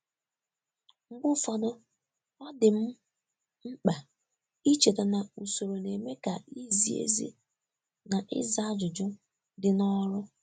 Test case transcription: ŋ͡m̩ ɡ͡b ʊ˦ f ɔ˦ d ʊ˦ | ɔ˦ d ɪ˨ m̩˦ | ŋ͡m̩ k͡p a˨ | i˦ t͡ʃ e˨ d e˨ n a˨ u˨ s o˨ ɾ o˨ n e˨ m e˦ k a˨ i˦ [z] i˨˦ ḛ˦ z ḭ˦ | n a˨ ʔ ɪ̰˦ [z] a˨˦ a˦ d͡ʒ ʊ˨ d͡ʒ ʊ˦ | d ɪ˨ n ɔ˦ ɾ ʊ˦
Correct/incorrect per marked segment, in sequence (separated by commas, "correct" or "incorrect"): correct, correct